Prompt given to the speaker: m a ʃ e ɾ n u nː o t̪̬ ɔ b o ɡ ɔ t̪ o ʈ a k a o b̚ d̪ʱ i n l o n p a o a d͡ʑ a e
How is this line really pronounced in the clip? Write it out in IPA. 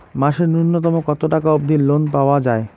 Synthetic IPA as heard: m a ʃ e ɾ n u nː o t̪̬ ɔ m o k ɔ t̪ o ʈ a k a o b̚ d̪ʱ i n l o n p a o a d͡ʑ a e